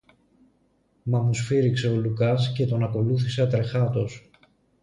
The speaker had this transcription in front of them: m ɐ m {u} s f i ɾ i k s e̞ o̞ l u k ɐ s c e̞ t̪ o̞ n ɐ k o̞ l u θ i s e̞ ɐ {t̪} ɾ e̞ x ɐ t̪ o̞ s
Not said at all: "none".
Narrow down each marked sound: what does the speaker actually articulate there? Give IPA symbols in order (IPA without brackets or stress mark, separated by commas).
u, t̪